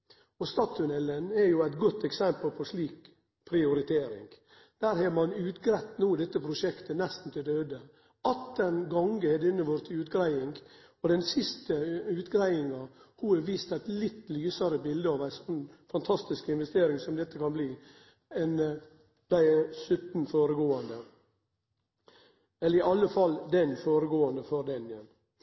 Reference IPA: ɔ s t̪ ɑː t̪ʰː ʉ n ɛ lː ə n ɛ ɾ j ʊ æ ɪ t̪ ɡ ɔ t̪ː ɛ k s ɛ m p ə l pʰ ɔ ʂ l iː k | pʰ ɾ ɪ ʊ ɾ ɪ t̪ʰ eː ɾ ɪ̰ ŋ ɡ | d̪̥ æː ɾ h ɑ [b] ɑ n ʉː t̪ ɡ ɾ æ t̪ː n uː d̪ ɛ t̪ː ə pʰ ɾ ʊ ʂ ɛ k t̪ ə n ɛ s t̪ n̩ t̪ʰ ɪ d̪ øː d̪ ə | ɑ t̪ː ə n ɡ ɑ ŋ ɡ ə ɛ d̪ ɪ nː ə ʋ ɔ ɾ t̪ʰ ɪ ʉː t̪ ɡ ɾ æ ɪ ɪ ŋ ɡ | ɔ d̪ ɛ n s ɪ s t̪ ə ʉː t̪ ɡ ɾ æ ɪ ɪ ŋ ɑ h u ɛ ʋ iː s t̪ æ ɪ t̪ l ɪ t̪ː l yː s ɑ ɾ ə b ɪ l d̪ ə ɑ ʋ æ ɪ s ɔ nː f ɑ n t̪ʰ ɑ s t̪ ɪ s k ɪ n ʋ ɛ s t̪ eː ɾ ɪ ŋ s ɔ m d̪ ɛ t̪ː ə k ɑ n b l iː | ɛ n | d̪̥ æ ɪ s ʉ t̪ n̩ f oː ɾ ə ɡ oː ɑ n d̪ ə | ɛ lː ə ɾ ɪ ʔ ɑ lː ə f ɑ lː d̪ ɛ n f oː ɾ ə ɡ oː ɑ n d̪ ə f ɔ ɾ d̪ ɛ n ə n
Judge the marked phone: incorrect: m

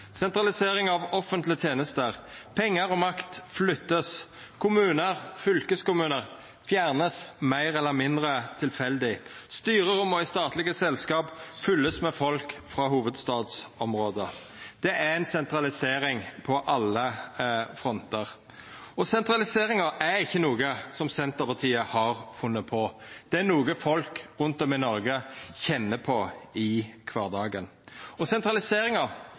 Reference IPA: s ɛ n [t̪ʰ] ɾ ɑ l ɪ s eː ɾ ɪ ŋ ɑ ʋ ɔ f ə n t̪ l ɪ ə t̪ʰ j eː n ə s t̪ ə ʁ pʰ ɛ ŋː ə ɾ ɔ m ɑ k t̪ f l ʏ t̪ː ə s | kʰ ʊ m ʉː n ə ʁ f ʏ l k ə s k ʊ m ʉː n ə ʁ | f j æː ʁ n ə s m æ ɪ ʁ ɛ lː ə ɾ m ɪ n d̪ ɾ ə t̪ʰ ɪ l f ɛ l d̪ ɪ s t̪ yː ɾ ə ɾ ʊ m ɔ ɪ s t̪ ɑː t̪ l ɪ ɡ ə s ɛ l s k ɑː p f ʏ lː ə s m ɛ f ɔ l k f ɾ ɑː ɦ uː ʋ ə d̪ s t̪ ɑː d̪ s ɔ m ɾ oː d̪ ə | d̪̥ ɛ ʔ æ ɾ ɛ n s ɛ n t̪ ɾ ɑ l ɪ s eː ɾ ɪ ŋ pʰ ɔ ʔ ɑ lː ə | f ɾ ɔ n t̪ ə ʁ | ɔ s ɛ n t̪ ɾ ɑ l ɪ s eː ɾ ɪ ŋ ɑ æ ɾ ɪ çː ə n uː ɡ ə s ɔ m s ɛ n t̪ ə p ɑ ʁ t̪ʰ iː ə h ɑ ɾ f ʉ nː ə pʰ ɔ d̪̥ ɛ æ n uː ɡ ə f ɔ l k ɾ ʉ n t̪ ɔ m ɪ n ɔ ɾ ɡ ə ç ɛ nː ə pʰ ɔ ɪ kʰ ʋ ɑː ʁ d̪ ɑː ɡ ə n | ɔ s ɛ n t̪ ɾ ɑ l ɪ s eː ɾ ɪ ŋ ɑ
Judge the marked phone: incorrect: t̪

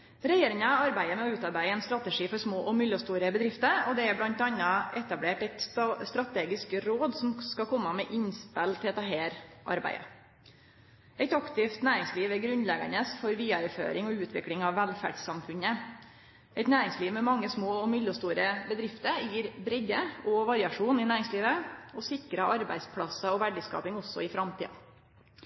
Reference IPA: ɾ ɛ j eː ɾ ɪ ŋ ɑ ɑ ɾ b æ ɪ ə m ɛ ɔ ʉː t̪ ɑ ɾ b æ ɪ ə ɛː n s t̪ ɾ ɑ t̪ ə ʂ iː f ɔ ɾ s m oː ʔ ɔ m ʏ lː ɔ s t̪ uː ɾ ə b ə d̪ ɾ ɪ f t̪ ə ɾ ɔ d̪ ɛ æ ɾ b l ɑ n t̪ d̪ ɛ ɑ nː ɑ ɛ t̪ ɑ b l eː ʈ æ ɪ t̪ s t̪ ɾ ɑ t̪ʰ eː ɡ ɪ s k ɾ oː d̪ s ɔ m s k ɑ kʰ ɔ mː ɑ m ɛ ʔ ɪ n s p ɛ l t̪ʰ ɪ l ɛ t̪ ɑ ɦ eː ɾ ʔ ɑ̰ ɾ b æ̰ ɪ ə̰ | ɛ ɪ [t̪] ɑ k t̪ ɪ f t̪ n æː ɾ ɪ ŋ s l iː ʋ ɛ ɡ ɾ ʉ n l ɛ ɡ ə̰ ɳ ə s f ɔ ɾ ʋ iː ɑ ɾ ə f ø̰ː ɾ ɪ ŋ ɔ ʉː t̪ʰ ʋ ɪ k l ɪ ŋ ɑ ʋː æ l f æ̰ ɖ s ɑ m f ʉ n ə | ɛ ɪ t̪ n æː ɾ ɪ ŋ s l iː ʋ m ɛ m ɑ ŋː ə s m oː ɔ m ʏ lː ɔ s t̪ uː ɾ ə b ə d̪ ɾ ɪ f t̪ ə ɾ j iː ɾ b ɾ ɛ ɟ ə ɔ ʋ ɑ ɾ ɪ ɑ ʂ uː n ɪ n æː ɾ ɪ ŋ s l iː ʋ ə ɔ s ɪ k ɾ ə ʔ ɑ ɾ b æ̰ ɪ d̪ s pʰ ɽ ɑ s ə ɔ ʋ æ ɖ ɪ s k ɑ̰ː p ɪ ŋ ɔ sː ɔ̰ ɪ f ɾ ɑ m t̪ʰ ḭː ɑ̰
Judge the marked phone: correct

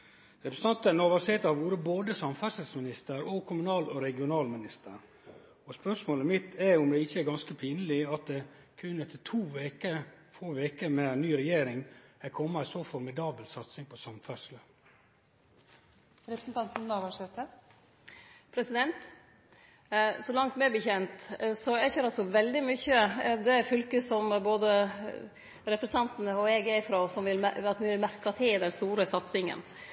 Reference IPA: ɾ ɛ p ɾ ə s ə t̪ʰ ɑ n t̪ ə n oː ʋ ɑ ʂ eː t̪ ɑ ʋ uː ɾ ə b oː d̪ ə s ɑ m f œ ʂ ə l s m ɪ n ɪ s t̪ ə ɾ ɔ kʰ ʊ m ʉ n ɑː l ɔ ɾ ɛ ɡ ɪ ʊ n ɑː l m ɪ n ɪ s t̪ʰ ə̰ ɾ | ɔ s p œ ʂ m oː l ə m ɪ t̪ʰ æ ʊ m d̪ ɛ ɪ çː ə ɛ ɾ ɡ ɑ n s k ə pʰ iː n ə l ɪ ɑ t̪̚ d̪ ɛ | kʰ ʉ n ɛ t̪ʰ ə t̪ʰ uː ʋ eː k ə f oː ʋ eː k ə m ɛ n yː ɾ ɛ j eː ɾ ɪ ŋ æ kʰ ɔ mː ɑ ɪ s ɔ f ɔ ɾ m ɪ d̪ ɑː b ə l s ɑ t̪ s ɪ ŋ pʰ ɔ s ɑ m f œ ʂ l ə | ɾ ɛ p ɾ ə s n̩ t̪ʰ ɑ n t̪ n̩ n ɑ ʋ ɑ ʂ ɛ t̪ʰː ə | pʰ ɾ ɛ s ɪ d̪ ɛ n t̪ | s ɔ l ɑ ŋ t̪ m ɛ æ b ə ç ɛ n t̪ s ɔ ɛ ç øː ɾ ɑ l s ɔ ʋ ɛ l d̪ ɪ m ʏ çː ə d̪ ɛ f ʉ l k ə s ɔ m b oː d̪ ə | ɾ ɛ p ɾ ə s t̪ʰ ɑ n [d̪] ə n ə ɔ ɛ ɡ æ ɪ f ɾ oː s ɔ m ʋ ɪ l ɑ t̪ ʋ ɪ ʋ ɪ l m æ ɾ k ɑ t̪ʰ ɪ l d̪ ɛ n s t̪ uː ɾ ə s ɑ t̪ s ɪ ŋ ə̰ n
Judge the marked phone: incorrect: t̪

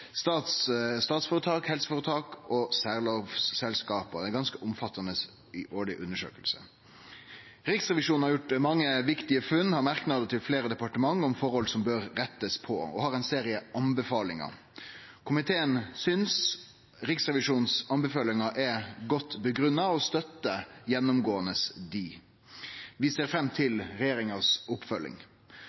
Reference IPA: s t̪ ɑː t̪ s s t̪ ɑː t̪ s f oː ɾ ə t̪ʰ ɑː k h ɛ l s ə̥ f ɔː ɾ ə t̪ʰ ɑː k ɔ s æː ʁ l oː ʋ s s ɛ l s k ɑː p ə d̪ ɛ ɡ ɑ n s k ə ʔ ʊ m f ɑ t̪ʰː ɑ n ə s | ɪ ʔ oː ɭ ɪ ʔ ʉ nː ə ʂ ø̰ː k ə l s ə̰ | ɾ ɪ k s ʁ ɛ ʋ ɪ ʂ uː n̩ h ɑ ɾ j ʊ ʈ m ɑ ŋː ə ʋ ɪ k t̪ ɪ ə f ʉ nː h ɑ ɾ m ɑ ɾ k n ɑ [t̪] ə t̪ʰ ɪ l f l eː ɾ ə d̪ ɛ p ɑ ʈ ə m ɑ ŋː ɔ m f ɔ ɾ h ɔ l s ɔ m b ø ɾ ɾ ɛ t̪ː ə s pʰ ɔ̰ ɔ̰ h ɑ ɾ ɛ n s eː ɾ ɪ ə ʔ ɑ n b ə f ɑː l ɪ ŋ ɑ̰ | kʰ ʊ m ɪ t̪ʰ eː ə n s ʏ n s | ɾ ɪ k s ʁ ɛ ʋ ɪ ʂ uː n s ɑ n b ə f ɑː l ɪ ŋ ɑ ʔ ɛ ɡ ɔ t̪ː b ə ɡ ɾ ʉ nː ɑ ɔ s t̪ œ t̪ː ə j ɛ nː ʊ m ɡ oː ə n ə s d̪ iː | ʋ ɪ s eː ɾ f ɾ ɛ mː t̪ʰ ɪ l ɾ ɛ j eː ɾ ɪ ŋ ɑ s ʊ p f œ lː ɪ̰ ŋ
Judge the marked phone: incorrect: d̪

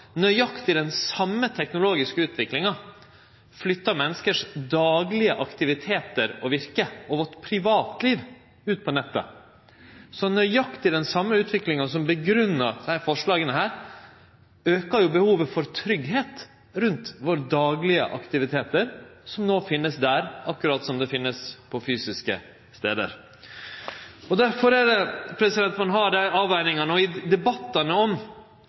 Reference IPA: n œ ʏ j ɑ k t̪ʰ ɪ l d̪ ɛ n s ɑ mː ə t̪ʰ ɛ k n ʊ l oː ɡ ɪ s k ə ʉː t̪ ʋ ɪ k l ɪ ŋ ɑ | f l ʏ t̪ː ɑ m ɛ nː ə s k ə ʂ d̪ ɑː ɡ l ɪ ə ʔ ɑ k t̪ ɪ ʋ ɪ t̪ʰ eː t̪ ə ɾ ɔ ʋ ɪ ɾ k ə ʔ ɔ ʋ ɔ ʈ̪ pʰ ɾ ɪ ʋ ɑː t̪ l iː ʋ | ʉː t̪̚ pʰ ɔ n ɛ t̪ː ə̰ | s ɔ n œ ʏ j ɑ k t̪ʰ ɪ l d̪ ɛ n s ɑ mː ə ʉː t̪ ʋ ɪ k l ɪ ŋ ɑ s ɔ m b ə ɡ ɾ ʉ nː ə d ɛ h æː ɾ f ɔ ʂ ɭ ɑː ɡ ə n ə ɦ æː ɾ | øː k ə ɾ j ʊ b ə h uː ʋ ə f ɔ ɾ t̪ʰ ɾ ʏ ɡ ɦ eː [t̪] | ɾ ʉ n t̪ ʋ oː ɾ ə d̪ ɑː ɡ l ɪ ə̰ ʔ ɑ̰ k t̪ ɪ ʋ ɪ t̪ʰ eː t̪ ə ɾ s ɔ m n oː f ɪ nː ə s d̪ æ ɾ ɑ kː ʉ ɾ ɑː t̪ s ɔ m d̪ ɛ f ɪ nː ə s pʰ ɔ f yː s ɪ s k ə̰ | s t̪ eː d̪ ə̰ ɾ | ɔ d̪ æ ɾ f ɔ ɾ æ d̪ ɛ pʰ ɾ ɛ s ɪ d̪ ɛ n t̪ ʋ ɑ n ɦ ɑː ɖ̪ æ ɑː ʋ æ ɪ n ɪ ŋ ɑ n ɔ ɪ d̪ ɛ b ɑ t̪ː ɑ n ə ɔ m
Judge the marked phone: correct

